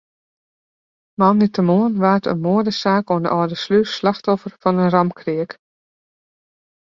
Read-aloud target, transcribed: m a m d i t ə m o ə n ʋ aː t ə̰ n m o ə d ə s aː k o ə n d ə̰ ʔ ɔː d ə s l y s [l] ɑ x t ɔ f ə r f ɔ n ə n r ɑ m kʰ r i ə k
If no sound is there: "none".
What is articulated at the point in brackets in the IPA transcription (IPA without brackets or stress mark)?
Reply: l